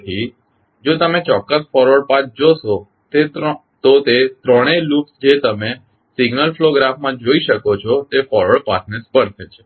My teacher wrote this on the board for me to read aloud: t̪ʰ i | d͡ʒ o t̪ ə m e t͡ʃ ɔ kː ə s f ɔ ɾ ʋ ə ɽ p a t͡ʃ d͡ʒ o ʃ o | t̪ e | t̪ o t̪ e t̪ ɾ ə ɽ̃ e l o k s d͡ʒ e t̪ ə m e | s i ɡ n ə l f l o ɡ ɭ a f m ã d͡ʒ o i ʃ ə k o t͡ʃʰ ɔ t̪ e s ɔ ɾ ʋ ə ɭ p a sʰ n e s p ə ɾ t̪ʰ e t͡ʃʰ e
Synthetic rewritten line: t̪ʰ i | d͡ʒ o t̪ ə m e t͡ʃ ɔ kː ə s f ɔ ɾ ʋ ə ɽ p a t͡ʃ d͡ʒ o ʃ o | t̪ e | t̪ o t̪ e t̪ ɾ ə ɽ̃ e l u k s d͡ʒ e t̪ ə m e | s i ɡ n ə l f l o ɡ ɾ a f m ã d͡ʒ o i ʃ ə k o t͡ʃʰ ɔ t̪ e f ɔ ɾ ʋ ə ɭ p a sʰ n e s p ə ɾ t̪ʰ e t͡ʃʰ e